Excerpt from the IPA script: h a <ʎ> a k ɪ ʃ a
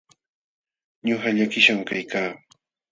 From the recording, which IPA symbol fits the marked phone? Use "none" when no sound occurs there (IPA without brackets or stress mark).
ʎ